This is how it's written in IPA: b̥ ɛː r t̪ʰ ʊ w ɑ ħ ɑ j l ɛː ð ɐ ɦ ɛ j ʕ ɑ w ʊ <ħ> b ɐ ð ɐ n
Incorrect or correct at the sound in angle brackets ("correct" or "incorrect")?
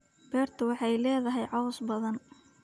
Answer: incorrect